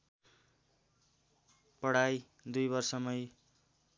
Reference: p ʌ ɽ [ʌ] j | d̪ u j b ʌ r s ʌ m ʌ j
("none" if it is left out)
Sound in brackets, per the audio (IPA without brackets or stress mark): a